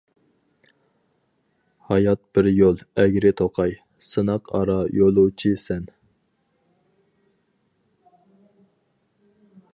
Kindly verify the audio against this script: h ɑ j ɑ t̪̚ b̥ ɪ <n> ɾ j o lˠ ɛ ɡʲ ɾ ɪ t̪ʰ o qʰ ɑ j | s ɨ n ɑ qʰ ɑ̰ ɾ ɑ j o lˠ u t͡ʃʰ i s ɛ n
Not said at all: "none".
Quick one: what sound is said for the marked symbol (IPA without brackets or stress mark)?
none